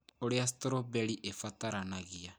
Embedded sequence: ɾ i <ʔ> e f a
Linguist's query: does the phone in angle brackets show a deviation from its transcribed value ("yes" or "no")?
no